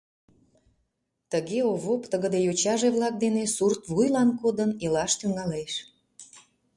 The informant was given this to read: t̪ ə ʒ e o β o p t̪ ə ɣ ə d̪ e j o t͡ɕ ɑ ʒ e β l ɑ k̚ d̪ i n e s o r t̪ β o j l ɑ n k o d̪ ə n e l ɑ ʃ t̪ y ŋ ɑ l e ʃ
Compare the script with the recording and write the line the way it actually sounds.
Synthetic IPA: t̪ ə ɣ e o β o p t̪ ə ɣ ə d̪ e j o t͡ɕ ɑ ʒ e β l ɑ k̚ d̪ e n e s u r t̪ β u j l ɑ n k o d̪ ə n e l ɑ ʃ t̪ y ŋ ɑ l e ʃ